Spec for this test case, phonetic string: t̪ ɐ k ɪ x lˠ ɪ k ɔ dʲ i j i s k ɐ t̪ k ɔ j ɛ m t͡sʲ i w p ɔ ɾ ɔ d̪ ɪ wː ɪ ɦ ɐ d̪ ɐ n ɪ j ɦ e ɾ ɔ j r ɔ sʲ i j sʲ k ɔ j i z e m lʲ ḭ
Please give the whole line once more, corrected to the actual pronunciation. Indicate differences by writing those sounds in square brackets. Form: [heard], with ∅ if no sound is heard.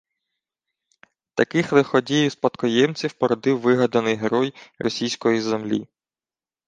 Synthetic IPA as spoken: t̪ ɐ k ɪ x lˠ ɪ [x] ɔ dʲ i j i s [p] ɐ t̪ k ɔ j ɛ m t͡sʲ i w p ɔ ɾ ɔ d̪ ɪ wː ɪ ɦ ɐ d̪ ɐ n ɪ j ɦ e ɾ ɔ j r ɔ sʲ i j sʲ k ɔ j i z e m lʲ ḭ